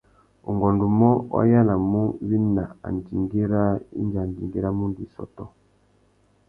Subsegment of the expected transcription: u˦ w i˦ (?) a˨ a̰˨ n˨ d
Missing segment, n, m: n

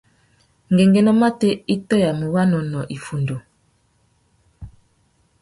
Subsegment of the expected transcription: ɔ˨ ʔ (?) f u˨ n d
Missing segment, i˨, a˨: i˨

